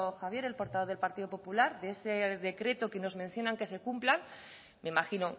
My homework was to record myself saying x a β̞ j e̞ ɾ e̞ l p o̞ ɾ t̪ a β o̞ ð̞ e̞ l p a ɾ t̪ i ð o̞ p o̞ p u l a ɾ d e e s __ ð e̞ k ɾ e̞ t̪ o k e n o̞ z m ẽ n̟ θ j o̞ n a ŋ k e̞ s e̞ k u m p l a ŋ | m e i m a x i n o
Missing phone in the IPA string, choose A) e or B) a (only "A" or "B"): A